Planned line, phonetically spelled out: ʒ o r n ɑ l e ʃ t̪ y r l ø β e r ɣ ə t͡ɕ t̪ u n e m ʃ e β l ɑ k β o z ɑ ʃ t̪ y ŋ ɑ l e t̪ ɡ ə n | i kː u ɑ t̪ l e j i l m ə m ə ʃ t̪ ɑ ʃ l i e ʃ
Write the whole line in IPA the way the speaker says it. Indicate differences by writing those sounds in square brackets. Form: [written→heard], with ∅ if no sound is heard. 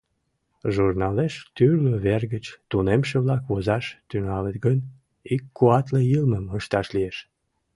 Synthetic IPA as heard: ʒ [o→u] r n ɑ l e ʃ t̪ y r l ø β e r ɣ ə t͡ɕ t̪ u n e m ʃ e β l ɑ k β o z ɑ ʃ t̪ y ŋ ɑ l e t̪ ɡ ə n | i kː u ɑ t̪ l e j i l m ə m ə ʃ t̪ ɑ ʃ l i e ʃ